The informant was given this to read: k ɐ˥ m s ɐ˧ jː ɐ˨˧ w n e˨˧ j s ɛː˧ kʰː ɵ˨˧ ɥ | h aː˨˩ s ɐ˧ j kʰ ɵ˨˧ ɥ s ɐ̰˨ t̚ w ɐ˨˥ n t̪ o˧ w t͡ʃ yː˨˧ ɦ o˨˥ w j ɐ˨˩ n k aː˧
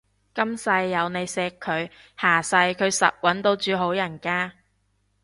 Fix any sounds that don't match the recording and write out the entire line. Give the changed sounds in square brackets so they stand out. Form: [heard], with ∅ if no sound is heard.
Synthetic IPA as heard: k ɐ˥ m s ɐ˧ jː ɐ˨˧ w n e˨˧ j s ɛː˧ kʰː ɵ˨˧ ɥ | h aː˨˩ s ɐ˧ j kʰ ɵ˨˧ ɥ s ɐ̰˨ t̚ w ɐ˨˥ n t̪ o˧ w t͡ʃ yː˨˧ ɦ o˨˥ w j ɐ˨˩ n k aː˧

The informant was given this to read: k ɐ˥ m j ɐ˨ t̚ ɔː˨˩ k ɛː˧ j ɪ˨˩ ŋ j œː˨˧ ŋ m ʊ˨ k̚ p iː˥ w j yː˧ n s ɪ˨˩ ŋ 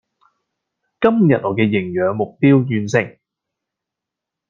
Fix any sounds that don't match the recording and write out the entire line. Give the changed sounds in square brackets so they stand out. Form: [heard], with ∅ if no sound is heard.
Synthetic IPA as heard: k ɐ˥ m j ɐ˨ t̚ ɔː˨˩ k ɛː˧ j ɪ˨˩ ŋ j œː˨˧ ŋ m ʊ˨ k̚ p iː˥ w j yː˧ n s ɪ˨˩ ŋ

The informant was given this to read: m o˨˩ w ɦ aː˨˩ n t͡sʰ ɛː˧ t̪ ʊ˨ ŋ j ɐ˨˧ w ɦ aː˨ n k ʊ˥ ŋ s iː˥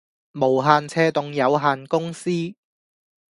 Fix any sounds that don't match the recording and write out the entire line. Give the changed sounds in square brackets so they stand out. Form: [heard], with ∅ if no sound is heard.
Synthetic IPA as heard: m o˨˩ w ɦ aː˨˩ n t͡sʰ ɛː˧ t̪ ʊ˨ ŋ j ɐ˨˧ w ɦ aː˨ n k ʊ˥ ŋ s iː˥

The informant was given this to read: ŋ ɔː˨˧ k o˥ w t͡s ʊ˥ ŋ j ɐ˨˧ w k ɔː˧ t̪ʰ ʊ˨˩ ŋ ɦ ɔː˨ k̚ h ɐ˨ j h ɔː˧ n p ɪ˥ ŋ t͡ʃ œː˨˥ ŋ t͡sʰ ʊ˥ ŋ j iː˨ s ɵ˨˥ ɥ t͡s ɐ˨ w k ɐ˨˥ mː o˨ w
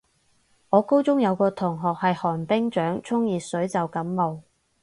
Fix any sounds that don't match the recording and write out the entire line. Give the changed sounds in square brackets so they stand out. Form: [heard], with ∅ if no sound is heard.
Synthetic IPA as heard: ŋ ɔː˨˧ k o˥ w t͡s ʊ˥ ŋ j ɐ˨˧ w k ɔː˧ t̪ʰ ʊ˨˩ ŋ ɦ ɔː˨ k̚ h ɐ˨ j h [ɔː˨˩] n p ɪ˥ ŋ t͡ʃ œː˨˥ ŋ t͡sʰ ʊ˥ ŋ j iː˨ s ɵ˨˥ ɥ t͡s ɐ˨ w k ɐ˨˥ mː o˨ w

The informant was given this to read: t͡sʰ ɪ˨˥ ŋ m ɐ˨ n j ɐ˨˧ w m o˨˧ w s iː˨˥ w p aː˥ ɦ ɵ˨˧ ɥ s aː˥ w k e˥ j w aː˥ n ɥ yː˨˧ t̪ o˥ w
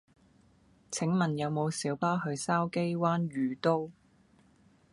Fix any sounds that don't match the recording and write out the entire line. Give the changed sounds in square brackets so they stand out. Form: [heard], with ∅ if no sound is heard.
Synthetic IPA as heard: t͡sʰ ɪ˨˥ ŋ m ɐ˨ n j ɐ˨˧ w m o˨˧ w s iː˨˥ w p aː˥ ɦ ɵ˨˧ ɥ s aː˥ w k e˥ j w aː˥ n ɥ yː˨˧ t̪ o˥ w

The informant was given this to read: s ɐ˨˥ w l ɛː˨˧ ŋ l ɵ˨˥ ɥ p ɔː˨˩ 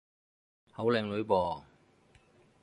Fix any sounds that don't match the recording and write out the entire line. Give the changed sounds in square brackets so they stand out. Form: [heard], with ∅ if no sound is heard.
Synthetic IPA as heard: [h] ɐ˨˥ w l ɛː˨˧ ŋ l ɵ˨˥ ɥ p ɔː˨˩

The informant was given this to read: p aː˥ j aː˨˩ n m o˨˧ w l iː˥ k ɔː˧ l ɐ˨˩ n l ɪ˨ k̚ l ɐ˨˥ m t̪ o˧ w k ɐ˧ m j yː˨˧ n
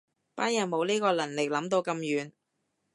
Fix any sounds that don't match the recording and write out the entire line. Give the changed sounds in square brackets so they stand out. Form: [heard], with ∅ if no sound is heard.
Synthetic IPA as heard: p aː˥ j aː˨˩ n m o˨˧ w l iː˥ k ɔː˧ l ɐ˨˩ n l ɪ˨ k̚ l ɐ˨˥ m t̪ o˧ w k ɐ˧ m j yː˨˧ n

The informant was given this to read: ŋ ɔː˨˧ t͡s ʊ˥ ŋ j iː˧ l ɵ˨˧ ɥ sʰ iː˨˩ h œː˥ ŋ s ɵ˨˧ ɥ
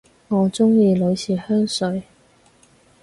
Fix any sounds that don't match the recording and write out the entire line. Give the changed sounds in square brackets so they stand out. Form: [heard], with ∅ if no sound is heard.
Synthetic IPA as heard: ŋ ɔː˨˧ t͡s ʊ˥ ŋ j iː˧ l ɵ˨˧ ɥ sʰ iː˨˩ h œː˥ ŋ s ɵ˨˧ ɥ

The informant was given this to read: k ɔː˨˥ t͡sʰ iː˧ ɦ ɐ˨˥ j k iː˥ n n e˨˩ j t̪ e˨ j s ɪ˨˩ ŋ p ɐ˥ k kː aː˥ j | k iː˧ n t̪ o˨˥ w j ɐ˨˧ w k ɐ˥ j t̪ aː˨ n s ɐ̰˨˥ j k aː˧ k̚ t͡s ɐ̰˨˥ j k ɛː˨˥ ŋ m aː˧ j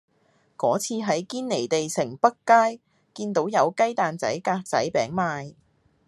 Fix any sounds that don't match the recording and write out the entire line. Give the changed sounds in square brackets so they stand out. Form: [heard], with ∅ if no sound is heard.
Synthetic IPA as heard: k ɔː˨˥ t͡sʰ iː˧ ɦ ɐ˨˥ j k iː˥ n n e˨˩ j t̪ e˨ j s ɪ˨˩ ŋ p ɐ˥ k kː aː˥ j | k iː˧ n t̪ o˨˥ w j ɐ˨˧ w k ɐ˥ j t̪ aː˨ n [t͡s] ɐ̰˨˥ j k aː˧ k̚ t͡s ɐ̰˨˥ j [p] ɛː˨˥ ŋ m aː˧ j

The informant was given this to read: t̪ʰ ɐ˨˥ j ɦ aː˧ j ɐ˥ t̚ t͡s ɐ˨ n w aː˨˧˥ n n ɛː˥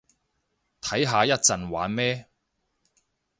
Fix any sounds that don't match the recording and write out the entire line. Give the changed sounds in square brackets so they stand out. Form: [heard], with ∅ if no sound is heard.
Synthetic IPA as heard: t̪ʰ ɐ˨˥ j ɦ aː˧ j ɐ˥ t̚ t͡s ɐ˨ n w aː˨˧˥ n [m] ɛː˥

